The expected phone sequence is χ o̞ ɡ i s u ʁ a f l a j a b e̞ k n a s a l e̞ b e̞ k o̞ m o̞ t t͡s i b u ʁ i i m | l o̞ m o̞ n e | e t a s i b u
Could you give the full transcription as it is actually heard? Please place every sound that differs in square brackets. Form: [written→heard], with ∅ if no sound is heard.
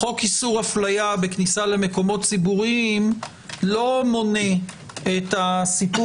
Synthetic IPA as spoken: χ o̞ [ɡ→k] i s u ʁ a f l a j a b e̞ k n [a→i] s a l e̞ [b→m] e̞ k o̞ m o̞ t t͡s i b u ʁ i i m | l o̞ m o̞ n e | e t a s i [b→p] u